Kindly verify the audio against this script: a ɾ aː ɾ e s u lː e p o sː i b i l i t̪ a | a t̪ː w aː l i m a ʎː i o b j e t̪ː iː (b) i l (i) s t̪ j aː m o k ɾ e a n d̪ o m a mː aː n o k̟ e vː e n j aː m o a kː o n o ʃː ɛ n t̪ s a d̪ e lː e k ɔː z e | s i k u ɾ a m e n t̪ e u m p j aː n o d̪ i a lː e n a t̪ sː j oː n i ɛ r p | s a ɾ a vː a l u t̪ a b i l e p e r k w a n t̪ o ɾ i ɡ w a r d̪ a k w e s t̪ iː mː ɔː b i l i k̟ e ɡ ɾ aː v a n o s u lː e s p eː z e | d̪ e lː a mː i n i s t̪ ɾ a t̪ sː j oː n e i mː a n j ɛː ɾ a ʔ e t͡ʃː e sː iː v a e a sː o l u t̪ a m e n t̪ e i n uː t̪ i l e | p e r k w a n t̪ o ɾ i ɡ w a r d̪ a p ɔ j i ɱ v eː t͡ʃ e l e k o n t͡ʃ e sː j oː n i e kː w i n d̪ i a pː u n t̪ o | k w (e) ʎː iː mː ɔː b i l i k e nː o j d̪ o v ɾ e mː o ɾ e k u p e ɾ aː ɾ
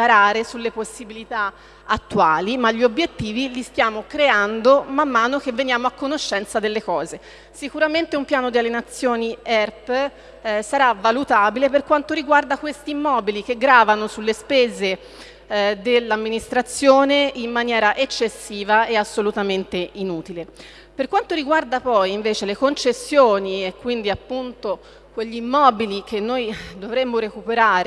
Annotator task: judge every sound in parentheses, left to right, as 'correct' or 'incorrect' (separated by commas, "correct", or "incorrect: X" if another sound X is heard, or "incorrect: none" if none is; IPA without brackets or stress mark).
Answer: incorrect: v, correct, correct